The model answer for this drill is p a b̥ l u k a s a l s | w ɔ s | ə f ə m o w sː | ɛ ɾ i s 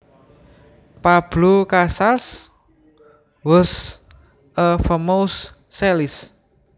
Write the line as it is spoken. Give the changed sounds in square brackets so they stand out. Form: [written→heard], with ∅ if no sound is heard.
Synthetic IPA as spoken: p a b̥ l u k a s a l s | w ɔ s | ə f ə m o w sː | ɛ [ɾ→l] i s